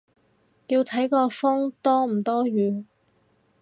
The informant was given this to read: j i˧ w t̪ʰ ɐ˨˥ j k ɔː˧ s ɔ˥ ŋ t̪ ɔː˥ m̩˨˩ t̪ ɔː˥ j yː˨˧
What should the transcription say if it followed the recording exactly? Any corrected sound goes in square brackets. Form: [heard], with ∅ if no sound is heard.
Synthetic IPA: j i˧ w t̪ʰ ɐ˨˥ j k ɔː˧ [f] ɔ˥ ŋ t̪ ɔː˥ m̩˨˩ t̪ ɔː˥ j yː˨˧

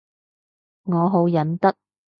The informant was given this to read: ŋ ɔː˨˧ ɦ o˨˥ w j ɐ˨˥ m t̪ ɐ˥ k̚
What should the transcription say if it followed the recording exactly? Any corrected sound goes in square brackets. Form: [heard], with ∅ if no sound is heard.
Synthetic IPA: ŋ ɔː˨˧ ɦ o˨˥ w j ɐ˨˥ [n] t̪ ɐ˥ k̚

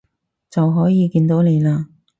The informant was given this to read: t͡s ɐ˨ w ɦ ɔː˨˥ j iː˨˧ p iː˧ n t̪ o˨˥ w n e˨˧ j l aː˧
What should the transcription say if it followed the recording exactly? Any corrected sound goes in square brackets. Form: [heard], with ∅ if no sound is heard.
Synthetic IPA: t͡s ɐ˨ w ɦ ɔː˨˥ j iː˨˧ [k] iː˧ n t̪ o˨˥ w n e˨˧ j l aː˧

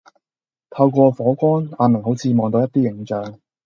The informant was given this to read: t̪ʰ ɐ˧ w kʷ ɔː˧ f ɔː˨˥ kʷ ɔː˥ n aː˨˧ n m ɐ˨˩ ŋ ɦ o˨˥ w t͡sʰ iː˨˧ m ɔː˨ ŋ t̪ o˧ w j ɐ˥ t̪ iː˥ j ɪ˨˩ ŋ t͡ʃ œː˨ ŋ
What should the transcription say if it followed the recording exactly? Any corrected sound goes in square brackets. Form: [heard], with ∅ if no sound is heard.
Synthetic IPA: t̪ʰ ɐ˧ w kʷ ɔː˧ f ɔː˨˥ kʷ ɔː˥ n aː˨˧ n m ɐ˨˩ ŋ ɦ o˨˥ w t͡sʰ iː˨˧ m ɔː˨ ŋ t̪ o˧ w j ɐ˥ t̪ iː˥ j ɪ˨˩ ŋ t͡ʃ œː˨ ŋ

